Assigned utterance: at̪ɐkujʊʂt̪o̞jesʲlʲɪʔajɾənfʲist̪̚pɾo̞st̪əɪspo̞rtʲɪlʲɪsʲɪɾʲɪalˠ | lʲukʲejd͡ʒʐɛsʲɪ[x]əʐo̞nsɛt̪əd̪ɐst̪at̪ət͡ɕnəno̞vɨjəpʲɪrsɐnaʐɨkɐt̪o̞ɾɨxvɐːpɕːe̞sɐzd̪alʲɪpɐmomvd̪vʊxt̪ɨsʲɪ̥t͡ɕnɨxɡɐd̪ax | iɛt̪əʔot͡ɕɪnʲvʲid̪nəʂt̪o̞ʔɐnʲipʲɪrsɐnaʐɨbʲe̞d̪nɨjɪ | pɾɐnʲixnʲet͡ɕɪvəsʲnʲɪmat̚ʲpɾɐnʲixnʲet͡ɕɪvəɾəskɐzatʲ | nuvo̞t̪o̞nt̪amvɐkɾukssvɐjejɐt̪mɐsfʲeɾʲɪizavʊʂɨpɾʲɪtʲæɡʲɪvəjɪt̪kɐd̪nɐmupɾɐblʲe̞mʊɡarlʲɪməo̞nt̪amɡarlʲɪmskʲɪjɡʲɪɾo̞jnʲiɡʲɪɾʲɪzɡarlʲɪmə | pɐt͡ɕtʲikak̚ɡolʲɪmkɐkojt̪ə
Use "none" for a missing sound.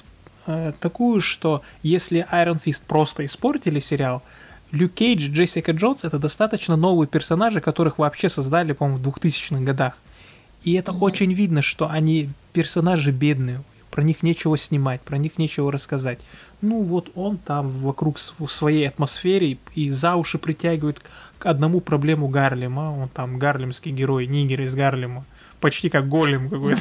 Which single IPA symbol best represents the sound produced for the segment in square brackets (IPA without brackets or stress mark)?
k